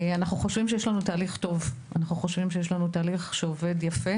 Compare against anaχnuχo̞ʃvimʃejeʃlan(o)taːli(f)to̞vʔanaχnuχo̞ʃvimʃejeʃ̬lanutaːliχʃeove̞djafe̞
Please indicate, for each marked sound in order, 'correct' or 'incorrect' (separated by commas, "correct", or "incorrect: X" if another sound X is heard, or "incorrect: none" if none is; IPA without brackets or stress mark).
incorrect: u, incorrect: χ